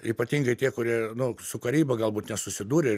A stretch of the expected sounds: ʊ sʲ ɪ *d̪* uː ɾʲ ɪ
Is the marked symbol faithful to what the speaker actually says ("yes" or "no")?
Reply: yes